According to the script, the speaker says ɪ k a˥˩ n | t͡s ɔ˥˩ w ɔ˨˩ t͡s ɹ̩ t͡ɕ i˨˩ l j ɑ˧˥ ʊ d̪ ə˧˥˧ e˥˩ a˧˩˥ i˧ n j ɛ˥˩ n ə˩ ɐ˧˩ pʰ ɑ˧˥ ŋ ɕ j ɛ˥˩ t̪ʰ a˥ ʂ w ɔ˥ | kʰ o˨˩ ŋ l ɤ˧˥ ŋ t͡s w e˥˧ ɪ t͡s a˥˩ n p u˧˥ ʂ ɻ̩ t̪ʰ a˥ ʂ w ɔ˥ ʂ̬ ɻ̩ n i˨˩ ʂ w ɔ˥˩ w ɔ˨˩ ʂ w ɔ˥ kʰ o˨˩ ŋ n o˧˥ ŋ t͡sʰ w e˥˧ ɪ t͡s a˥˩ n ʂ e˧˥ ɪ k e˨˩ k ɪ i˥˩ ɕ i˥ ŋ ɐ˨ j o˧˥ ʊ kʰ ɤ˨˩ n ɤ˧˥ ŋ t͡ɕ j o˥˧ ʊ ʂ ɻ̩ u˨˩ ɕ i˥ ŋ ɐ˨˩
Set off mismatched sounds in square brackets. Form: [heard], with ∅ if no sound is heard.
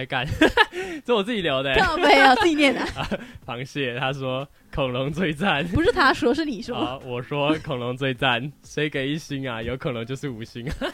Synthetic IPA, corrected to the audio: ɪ k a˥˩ n | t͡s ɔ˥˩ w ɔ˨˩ t͡s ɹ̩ t͡ɕ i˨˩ l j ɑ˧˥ ʊ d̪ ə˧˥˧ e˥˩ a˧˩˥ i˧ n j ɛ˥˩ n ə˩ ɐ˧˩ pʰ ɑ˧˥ ŋ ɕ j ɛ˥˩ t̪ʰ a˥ ʂ w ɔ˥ | kʰ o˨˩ ŋ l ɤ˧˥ ŋ t͡s w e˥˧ ɪ t͡s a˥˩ n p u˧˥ ʂ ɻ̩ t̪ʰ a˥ ʂ w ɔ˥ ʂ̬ ɻ̩ n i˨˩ ʂ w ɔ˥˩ w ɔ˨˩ ʂ w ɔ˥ kʰ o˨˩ ŋ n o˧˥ ŋ [t͡s] w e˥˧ ɪ t͡s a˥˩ n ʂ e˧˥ ɪ k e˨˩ [∅] ɪ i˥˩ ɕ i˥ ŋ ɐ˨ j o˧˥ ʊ kʰ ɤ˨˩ n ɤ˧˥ ŋ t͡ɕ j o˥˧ ʊ ʂ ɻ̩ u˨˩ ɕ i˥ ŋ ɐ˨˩